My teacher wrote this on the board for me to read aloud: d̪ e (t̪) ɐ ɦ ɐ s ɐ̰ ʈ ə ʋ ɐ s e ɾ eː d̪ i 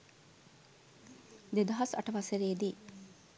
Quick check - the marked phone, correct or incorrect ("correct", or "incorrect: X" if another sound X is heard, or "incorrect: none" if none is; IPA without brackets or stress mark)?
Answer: incorrect: d̪